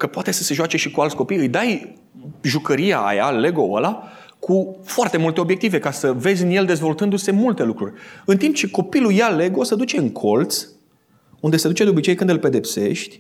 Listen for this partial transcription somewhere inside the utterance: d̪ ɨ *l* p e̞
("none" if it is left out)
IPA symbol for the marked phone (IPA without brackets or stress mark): l